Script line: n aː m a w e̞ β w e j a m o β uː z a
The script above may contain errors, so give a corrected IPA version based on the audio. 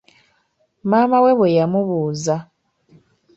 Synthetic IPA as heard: m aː m a w e̞ β w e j a m u β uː z a